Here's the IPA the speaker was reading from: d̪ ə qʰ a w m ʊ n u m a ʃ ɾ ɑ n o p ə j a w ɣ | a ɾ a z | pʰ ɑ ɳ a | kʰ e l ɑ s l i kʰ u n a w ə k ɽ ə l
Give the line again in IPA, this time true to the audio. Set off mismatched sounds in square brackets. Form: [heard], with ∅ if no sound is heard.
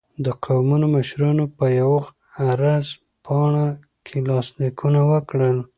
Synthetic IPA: d̪ ə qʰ a w m [u] n [o] m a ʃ ɾ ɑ n o p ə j a w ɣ | a ɾ a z | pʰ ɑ ɳ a | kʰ e l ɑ s l i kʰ u n a w ə k ɽ ə l